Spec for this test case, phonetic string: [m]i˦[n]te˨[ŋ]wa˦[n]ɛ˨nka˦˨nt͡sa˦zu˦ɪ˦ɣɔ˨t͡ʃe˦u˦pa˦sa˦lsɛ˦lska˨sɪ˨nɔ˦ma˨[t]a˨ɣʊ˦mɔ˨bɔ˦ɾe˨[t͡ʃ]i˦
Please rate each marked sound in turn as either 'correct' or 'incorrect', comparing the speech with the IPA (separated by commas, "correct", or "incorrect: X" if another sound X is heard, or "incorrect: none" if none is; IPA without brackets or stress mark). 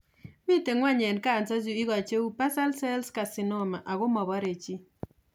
correct, incorrect: none, correct, incorrect: ɲ, incorrect: ʔ, correct